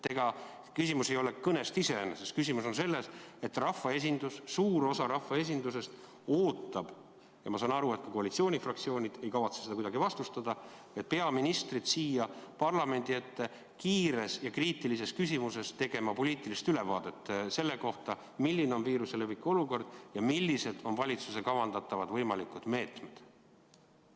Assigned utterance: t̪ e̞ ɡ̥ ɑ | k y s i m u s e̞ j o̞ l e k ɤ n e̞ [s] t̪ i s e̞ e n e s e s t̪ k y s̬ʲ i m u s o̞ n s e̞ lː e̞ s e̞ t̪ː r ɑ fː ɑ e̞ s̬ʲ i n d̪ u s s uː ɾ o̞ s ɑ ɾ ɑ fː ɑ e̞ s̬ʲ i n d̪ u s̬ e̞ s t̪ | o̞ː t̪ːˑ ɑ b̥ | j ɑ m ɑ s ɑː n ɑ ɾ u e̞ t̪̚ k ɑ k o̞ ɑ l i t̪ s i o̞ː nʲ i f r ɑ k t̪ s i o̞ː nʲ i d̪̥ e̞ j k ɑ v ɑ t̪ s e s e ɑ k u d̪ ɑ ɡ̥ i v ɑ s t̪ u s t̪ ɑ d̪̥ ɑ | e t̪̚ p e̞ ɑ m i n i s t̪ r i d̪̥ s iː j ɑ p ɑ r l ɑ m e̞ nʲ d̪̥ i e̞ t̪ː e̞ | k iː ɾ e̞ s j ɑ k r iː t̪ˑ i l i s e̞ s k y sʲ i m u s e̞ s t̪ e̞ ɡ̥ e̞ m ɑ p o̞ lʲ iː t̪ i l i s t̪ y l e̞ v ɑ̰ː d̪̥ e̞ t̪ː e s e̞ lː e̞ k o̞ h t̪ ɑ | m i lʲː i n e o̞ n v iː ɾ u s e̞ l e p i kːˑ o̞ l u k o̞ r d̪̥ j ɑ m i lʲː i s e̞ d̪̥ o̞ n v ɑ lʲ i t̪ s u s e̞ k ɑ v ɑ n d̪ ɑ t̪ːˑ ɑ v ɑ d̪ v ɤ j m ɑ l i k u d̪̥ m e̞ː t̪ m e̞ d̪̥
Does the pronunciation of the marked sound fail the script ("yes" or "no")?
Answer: no